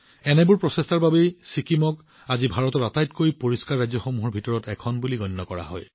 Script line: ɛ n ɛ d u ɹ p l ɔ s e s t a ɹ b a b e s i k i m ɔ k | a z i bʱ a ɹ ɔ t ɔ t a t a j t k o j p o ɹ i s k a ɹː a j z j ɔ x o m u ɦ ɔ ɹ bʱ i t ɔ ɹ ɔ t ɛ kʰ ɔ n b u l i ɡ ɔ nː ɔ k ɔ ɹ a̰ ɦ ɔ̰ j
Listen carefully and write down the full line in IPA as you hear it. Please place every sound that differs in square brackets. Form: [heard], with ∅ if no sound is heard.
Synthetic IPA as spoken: ɛ n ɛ [b] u ɹ p [ɹ] ɔ s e s t a ɹ b a b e s i k i m ɔ k | a z i bʱ a ɹ ɔ t ɔ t a t a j t k o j p o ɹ i s k a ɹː a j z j ɔ x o m u ɦ ɔ ɹ bʱ i t ɔ ɹ ɔ t ɛ kʰ ɔ n b u l i ɡ ɔ nː ɔ k ɔ ɹ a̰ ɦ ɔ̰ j